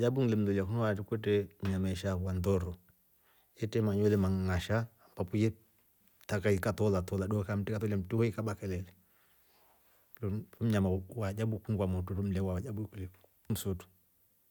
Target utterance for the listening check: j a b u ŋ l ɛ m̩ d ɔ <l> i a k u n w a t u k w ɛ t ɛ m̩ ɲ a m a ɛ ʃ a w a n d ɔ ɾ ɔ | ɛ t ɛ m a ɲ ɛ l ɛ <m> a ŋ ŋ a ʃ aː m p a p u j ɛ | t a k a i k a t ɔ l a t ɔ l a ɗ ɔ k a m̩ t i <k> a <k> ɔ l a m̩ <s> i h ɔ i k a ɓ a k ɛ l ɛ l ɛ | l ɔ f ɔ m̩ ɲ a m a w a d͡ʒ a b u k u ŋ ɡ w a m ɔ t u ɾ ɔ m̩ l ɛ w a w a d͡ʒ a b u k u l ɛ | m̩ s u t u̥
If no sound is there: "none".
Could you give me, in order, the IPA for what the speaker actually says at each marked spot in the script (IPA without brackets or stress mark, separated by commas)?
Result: l, m, k, t, t